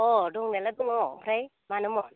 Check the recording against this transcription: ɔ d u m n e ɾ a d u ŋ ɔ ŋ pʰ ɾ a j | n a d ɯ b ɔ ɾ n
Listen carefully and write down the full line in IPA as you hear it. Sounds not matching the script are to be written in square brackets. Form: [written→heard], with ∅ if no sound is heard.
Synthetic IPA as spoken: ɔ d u [m→ŋ] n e [ɾ→l] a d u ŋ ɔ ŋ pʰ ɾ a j | [n→m] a [d→n] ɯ [b→m] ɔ [ɾ→∅] n